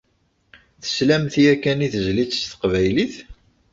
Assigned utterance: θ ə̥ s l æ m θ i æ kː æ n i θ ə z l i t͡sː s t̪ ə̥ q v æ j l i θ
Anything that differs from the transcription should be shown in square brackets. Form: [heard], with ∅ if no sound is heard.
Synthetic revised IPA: θ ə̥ s l æ m θ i æ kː æ n i θ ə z l i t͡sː s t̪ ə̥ q v æ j l i θ